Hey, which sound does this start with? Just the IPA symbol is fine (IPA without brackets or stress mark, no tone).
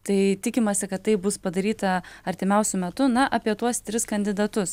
t̪